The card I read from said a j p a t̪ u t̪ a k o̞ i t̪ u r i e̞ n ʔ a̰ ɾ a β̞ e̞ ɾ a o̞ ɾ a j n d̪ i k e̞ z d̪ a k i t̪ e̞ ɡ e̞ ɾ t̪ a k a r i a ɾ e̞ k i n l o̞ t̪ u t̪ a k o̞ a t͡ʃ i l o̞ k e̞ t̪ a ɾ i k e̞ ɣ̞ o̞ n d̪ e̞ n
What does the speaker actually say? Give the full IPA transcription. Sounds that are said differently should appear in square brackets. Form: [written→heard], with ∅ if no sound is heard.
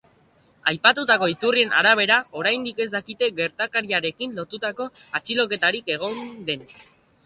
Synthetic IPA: a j p a t̪ u t̪ a k o̞ i t̪ u r i e̞ n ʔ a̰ ɾ a β̞ e̞ ɾ a o̞ ɾ a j n d̪ i k e̞ z d̪ a k i t̪ e̞ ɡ e̞ ɾ t̪ a k a [r→ɾ] i a ɾ e̞ k i n l o̞ t̪ u t̪ a k o̞ a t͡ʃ i l o̞ k e̞ t̪ a ɾ i k e̞ ɣ̞ o̞ n d̪ e̞ n

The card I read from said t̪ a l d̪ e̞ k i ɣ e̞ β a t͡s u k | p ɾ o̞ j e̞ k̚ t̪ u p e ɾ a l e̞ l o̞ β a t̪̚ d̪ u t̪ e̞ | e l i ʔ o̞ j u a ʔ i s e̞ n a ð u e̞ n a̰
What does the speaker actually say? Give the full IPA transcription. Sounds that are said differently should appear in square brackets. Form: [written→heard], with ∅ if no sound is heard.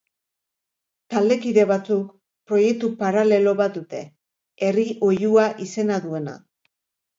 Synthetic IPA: t̪ a l d̪ e̞ k i [ɣ→ð] e̞ β a t͡s u k | p ɾ o̞ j e̞ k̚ t̪ u p [e→a] ɾ a l e̞ l o̞ β a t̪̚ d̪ u t̪ e̞ | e [l→r] i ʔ o̞ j u a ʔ i s e̞ n a ð u e̞ n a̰

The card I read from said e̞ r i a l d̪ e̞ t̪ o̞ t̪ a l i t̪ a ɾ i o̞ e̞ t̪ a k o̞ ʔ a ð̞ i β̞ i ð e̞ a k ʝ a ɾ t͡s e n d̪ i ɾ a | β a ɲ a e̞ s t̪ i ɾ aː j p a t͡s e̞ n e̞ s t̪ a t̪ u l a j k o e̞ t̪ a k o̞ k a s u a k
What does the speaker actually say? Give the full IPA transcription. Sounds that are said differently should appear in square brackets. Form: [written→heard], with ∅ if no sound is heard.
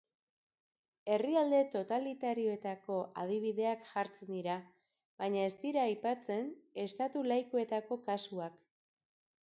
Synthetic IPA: e̞ r i a l d̪ e̞ t̪ o̞ t̪ a l i t̪ a ɾ i o̞ e̞ t̪ a k o̞ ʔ a ð̞ i β̞ i ð e̞ a k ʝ a ɾ t͡s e n d̪ i ɾ a | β a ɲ a e̞ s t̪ i ɾ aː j p a t͡s e̞ n e̞ s t̪ a t̪ u l a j k o e̞ t̪ a k o̞ k a s u a k

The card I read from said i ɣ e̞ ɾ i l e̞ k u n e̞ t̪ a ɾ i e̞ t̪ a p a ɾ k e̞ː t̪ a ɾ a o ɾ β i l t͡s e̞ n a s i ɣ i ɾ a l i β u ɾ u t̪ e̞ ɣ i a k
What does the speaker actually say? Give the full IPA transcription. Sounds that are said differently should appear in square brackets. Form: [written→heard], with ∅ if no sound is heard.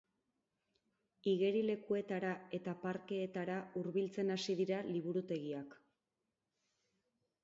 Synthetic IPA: i ɣ e̞ ɾ i l e̞ k u [n→∅] e̞ t̪ a ɾ [i→a] e̞ t̪ a p a ɾ k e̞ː t̪ a ɾ a [o→u] ɾ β i l t͡s e̞ n a s i [ɣ→ð] i ɾ a l i β u ɾ u t̪ e̞ ɣ i a k

